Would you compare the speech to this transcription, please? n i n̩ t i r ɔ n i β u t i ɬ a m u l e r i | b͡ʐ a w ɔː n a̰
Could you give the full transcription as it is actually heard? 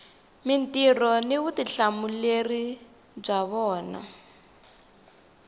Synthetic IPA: m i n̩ t i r ɔ n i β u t i ɬ a m u l e r i | b͡ʐ a β ɔː n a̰